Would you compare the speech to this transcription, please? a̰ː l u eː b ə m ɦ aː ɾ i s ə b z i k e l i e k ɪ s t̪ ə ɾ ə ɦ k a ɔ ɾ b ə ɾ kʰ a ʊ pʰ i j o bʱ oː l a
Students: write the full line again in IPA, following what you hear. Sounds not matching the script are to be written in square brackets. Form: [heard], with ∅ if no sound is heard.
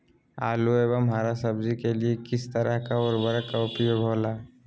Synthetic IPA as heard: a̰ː l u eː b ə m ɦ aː ɾ [a] s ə b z i k e l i e k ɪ s t̪ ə ɾ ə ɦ k a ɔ ɾ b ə ɾ [k] a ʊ [p] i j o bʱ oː l a